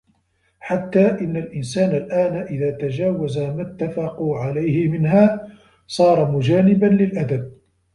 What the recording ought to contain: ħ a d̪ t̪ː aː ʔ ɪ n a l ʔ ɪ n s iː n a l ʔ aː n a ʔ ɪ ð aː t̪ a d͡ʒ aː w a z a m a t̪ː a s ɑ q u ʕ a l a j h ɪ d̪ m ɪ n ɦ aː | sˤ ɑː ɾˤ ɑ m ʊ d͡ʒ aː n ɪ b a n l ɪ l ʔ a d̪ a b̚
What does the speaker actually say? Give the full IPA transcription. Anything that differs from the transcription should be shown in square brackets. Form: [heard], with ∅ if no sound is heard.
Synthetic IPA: ħ a [∅] t̪ː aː ʔ ɪ [nː] a l ʔ ɪ n s [aː] n a l ʔ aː n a ʔ ɪ ð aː t̪ a d͡ʒ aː w a z a m a t̪ː a [f] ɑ q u ʕ a l a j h ɪ [∅] m ɪ n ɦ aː | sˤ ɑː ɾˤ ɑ m ʊ d͡ʒ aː n ɪ b a n l ɪ l ʔ a d̪ a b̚